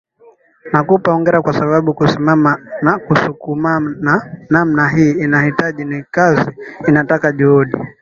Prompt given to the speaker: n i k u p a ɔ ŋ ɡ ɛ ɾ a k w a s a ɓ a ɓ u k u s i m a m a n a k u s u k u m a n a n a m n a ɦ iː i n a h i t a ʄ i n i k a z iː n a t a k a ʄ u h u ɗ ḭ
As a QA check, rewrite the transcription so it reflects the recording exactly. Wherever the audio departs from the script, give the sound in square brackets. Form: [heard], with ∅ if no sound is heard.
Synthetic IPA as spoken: n [a] k u p a ɔ ŋ ɡ ɛ ɾ a k w a s a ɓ a ɓ u k u s i m a m a n a k u s u k u m a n a n a m n a ɦ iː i n a h i t a ʄ i n i k a z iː n a t a k a ʄ u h u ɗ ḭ